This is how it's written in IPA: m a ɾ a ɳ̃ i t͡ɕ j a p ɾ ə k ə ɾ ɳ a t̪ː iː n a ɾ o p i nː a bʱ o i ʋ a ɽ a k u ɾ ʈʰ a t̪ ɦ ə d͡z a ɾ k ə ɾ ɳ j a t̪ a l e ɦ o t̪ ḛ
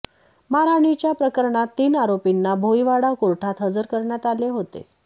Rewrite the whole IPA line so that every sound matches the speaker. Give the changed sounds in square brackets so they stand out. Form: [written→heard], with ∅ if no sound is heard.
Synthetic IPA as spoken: m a ɾ a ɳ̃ i t͡ɕ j a p ɾ ə k ə ɾ ɳ a t̪ː iː n a ɾ o p i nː a bʱ o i ʋ a ɽ a k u ɾ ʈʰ a t̪ ɦ ə d͡z [a→ə] ɾ k ə ɾ ɳ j a t̪ a l e ɦ o t̪ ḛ